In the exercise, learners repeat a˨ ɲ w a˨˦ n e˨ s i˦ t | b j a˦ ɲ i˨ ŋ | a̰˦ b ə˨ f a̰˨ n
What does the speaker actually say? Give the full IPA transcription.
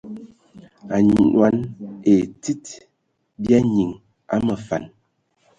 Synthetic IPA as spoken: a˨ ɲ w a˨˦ n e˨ t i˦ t | b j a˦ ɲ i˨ ŋ | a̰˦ m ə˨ f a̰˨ n